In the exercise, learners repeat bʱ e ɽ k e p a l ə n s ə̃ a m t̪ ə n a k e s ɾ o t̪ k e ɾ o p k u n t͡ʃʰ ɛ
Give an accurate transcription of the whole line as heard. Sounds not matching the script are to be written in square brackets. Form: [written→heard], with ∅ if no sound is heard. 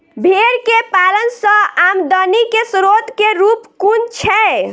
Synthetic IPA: bʱ e [ɽ→ɾ] k e p a l ə n s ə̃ a m [t̪→d̪] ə n [a→i] k e s ɾ o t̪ k e ɾ [o→u] p k u n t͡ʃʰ ɛ

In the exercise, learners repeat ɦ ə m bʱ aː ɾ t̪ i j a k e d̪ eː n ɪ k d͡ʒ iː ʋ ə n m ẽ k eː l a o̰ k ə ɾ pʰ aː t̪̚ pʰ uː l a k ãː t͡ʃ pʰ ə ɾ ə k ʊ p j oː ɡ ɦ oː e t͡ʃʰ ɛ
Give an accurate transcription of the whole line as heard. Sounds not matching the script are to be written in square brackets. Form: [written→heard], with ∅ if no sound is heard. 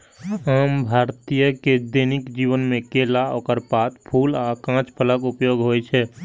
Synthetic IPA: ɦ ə m bʱ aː ɾ t̪ i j [a→ə] k e d̪ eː n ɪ k d͡ʒ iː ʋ ə n m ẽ k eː l a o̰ k ə ɾ [pʰ→p] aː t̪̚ pʰ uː l a k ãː t͡ʃ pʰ ə [ɾ→l] ə k ʊ p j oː ɡ ɦ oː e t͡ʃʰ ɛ

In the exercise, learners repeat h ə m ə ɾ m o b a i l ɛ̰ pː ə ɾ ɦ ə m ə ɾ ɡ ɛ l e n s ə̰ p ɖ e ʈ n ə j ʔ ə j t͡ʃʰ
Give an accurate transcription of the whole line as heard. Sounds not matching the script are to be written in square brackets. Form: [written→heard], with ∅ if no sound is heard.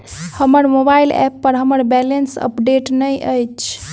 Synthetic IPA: h ə m ə ɾ m o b a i l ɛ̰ pː ə ɾ ɦ ə m ə ɾ [ɡ→b] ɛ l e n s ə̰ p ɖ e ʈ n ə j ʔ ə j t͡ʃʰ

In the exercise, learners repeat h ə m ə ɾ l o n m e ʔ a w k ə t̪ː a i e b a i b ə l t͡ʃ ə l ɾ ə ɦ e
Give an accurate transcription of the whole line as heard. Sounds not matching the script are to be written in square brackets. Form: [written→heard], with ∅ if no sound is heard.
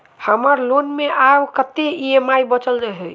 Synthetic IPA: h ə m ə ɾ l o n m e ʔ a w k ə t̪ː [a→e] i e [b→m] a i b ə [l→∅] t͡ʃ ə l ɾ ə ɦ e

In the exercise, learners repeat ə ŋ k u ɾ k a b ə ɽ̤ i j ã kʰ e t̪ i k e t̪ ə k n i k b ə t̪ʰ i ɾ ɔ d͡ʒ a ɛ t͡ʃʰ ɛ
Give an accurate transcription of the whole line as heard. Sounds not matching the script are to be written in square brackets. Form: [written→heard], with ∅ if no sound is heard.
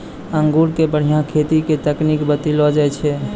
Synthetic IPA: ə ŋ [k→ɡ] u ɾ k [a→e] b ə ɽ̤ i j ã kʰ e t̪ i k e t̪ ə k n i k b ə [t̪ʰ→t̪] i [ɾ→l] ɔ d͡ʒ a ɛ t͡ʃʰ ɛ

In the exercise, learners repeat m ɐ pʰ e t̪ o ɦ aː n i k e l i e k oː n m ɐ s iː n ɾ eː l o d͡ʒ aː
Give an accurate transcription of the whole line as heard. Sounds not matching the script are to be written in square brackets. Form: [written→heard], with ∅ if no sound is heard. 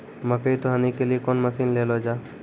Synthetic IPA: m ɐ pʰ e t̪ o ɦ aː n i k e l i e k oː n m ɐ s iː n [ɾ→l] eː l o d͡ʒ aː

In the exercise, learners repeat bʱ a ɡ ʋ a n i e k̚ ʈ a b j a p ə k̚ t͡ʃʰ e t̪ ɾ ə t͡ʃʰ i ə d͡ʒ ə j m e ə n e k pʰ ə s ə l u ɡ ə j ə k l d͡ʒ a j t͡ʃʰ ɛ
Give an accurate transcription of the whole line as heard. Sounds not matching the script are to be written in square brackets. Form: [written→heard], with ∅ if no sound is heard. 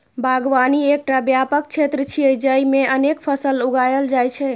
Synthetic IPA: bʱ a ɡ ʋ a n i e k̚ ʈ a b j a p ə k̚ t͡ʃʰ e t̪ ɾ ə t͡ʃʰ i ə d͡ʒ ə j m e ə n e k pʰ ə s ə l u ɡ [ə→a] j ə [k→∅] l d͡ʒ a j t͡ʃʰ ɛ

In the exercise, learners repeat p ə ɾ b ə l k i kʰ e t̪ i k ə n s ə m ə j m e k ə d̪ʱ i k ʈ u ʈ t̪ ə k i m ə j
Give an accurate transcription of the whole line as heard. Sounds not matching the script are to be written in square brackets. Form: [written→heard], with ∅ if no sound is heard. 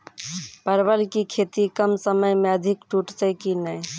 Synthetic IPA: p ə ɾ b ə l k i kʰ e t̪ i k ə [n→m] s ə m ə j m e [k→∅] ə d̪ʱ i k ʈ u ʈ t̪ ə k i [m→n] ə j

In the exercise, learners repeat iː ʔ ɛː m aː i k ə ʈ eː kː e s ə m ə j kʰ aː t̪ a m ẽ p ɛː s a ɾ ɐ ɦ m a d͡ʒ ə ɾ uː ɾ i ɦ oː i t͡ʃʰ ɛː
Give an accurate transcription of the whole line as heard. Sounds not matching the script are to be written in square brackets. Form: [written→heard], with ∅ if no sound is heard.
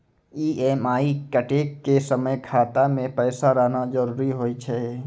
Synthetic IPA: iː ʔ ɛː m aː i k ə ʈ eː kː e s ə m ə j kʰ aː t̪ a m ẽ p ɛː s a ɾ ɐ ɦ [m→n] a d͡ʒ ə ɾ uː ɾ i ɦ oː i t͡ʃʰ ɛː

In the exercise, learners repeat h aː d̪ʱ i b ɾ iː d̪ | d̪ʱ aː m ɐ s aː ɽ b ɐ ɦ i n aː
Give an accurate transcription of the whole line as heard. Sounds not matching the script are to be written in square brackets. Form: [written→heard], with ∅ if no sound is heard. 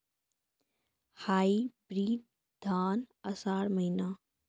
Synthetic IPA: h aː [d̪ʱ→∅] i b ɾ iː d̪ | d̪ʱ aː [m→n] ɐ s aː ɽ [b→m] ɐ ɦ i n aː

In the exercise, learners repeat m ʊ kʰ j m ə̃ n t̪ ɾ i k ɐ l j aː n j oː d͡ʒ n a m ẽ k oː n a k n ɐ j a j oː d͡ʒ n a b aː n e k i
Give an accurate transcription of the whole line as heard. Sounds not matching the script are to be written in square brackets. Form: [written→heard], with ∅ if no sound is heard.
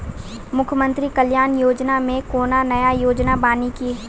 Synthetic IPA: m ʊ kʰ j m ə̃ n t̪ ɾ i k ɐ l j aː n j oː d͡ʒ n a m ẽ k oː n a [k→∅] n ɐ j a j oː d͡ʒ n a b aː n [e→i] k i

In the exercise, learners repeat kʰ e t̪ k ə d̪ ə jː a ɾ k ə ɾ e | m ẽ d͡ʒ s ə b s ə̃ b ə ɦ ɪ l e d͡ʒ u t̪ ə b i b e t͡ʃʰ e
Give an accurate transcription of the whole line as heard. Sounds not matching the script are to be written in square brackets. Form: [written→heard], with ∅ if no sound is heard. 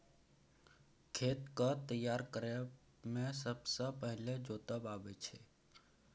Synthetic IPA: kʰ e t̪ k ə [d̪→t̪] ə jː a ɾ k ə ɾ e | m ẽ [d͡ʒ→∅] s ə b s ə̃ [b→p] ə ɦ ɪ l e d͡ʒ [u→o] t̪ ə b [i→a] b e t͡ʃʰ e

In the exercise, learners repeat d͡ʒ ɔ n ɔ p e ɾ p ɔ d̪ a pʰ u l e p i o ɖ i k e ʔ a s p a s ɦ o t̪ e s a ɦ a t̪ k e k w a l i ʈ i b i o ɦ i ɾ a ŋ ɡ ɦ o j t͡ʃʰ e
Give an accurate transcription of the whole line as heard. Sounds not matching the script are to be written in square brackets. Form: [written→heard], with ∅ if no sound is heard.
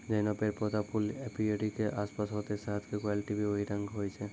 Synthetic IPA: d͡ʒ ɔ n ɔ p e ɾ p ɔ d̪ a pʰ u l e p i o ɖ i k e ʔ a s p a s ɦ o t̪ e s a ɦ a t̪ k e k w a l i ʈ i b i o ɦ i ɾ a ŋ ɡ ɦ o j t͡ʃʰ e

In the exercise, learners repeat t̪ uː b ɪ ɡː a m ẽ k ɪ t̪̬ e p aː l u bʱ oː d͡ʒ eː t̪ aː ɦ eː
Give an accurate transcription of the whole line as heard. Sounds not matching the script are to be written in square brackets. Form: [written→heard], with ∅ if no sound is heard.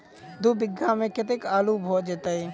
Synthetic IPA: [t̪→d̪] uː b ɪ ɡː a m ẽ k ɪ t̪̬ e [p→k] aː l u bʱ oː d͡ʒ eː t̪ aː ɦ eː

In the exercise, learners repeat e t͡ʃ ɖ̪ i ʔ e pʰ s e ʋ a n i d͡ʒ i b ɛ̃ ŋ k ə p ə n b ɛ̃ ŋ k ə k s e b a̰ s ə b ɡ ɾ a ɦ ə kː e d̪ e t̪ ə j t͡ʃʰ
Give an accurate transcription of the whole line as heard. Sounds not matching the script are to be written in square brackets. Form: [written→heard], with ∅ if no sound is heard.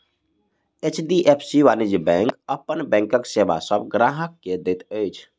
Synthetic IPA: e t͡ʃ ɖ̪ i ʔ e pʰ s [e→i] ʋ a n i d͡ʒ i b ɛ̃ ŋ k ə p ə n b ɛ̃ ŋ k ə k s e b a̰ s ə b ɡ ɾ a ɦ ə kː e d̪ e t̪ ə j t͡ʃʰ

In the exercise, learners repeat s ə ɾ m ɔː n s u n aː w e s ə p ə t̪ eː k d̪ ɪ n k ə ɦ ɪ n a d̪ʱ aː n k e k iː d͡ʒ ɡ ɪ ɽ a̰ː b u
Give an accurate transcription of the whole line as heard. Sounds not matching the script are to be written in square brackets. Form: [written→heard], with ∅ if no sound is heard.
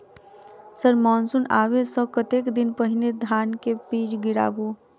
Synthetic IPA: s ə ɾ m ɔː n s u n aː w e s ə [p→k] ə t̪ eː k d̪ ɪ n [k→p] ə ɦ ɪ n [a→e] d̪ʱ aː n k e [k→p] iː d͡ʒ ɡ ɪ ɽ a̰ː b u

